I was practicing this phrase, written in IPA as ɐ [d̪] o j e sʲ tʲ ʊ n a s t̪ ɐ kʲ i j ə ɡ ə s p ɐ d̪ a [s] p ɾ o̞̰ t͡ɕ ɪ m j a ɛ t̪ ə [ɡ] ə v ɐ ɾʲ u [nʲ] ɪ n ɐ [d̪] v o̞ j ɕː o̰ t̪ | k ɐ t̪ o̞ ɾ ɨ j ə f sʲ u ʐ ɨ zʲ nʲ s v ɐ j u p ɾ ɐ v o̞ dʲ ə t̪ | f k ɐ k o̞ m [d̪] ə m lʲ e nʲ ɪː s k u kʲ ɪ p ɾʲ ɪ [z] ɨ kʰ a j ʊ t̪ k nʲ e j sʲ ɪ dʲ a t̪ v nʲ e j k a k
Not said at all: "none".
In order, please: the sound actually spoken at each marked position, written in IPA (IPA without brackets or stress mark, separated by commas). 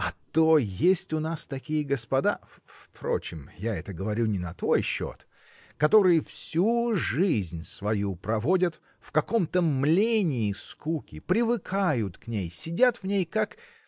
t̪, f, ɡ, nʲ, t̪, t̪, v